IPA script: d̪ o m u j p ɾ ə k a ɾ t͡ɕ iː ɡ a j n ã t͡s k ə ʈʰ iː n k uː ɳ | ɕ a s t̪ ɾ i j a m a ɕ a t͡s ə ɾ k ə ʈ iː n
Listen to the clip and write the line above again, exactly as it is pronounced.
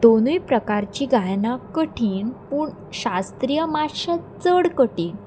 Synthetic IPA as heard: d̪ o n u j p ɾ ə k a ɾ t͡ɕ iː ɡ a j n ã k ə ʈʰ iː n p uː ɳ | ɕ a s t̪ ɾ i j ə m a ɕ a t͡s ə ɽ k ə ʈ iː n